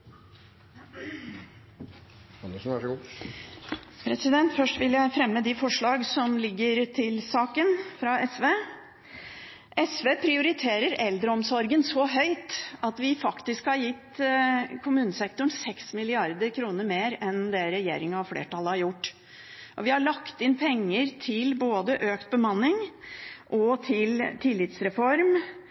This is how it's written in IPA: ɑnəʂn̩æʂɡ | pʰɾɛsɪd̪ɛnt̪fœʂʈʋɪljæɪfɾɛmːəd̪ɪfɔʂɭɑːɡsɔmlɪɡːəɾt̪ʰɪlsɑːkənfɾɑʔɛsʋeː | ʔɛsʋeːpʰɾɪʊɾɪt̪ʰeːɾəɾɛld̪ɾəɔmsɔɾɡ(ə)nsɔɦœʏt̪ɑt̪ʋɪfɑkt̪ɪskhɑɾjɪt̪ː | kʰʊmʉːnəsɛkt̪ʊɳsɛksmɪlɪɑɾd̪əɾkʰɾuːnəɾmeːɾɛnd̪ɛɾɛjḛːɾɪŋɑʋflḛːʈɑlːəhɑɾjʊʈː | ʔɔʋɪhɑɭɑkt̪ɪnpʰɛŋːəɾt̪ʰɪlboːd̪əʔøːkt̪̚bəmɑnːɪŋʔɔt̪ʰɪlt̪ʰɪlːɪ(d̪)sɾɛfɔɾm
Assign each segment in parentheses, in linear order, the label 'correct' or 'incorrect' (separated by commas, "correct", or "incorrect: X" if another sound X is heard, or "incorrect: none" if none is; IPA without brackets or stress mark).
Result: correct, incorrect: t̪